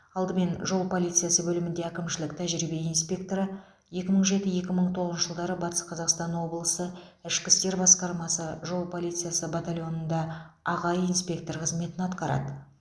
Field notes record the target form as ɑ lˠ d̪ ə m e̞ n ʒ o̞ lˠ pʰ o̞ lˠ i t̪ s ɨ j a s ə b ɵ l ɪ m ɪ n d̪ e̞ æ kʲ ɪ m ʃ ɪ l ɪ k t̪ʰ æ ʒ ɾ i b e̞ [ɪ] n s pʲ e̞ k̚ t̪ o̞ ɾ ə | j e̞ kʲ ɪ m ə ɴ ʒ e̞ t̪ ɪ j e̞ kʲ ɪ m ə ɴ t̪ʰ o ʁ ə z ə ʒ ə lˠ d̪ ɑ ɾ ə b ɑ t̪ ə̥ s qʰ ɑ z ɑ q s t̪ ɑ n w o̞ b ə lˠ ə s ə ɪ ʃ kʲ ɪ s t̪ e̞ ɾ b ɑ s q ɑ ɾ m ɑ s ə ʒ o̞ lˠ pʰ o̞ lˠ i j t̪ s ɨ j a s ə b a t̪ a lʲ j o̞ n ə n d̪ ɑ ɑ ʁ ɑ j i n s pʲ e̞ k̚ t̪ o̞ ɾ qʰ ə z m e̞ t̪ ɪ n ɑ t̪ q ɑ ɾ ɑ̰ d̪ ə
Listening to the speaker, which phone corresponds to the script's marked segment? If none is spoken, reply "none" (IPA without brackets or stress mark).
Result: i